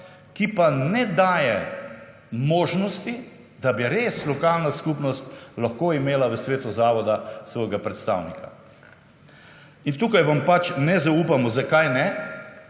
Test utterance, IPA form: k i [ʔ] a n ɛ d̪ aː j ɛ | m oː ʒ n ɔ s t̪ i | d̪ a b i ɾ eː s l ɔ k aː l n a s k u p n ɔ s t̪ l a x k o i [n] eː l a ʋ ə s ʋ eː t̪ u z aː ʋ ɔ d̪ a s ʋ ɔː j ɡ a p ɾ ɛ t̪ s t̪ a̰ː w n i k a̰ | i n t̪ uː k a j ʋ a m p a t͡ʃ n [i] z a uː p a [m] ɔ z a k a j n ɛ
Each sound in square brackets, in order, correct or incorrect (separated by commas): incorrect, incorrect, incorrect, correct